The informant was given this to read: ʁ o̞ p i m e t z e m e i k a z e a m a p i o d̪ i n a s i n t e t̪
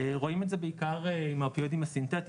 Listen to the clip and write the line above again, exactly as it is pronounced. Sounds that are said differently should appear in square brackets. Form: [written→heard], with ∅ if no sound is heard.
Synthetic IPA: ʁ o̞ [p→∅] i m e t z e [m→b] e i k a [z→ʁ] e [a→i] m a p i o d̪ i [n→m] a s i n t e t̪